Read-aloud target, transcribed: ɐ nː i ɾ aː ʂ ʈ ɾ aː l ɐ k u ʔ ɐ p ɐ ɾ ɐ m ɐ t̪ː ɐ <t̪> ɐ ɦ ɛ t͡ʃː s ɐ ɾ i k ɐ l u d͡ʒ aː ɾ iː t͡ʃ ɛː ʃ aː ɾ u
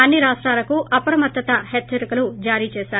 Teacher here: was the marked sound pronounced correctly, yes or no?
yes